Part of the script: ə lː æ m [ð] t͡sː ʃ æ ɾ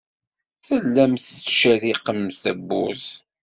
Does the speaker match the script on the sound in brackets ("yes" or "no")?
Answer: no